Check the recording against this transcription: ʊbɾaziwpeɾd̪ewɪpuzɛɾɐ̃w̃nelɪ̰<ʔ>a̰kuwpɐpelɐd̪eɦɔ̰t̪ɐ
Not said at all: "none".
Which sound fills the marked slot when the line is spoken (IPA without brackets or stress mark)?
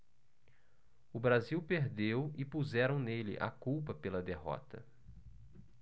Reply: ʔ